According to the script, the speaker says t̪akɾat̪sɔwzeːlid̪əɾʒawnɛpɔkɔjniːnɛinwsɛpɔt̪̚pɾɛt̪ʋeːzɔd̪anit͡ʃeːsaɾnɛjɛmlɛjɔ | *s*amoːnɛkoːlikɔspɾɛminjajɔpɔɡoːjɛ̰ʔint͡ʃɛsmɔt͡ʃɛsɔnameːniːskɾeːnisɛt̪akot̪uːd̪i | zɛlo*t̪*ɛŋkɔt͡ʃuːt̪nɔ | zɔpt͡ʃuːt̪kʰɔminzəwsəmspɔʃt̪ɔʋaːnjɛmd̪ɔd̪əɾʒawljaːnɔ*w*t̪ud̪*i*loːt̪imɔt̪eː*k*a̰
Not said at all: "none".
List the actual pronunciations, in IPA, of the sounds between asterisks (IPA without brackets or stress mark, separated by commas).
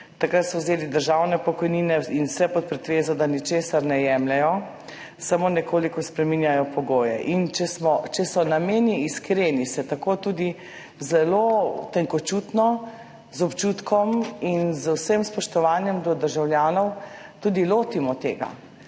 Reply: s, t̪, w, i, ɡ